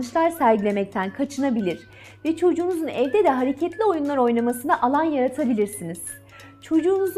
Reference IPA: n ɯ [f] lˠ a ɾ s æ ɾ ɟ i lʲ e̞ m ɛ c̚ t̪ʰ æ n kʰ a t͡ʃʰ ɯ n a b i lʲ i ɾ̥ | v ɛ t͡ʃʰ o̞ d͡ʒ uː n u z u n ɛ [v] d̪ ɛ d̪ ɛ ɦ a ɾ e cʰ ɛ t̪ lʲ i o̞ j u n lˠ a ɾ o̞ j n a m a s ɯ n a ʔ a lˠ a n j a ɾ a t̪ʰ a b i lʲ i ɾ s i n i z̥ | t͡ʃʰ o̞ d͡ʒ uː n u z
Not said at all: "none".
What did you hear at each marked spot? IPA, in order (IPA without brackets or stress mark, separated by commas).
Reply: ʃ, v